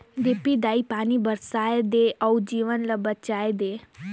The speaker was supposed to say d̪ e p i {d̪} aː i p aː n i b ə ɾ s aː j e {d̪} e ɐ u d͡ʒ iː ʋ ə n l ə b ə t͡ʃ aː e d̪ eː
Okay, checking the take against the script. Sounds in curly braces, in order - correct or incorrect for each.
correct, correct

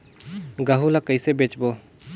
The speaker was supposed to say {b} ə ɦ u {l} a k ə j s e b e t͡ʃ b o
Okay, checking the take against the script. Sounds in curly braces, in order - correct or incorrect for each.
incorrect: ɡ, correct

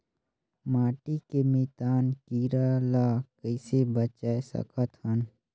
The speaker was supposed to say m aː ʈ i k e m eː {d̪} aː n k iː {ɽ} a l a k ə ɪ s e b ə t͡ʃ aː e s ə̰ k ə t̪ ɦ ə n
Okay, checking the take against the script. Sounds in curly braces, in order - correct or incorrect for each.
incorrect: t̪, incorrect: ɾ

